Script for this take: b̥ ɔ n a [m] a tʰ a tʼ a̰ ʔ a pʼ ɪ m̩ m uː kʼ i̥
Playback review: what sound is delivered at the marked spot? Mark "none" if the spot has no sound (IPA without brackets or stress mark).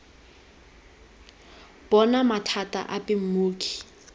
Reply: m